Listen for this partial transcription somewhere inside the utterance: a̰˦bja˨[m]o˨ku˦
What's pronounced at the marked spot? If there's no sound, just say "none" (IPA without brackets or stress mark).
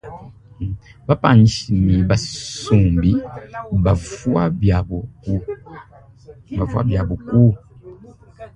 b